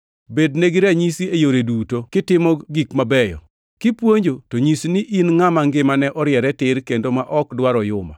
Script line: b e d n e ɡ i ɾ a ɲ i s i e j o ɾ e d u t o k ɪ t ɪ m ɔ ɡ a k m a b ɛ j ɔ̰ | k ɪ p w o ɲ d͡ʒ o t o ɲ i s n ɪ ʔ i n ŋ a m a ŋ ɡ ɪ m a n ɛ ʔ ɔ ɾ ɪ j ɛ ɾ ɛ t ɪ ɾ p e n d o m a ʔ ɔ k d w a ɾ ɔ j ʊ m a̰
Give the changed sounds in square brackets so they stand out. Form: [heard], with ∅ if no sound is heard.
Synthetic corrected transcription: b e d n e ɡ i ɾ a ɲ i s i e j o ɾ e d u t o k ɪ t ɪ m ɔ ɡ [i] k m a b ɛ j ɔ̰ | k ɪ p w o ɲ d͡ʒ o t o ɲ i s n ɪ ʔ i n ŋ a m a ŋ ɡ ɪ m a n ɛ ʔ ɔ ɾ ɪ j ɛ ɾ ɛ t ɪ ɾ [k] e n d o m a ʔ ɔ k d w a ɾ ɔ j ʊ m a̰